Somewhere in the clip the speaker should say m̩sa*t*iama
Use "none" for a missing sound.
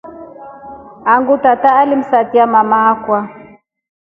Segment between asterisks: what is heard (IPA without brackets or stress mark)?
t